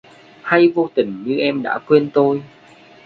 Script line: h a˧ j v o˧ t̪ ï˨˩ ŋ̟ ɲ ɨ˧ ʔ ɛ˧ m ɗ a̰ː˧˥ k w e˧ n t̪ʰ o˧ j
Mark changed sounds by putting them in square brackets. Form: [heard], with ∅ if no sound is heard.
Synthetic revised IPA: h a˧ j v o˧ t̪ ï˨˩ ŋ̟ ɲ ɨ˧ ʔ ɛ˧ m ɗ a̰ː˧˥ k w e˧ n [t̪] o˧ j